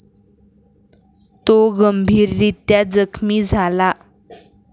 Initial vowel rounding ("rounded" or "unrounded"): rounded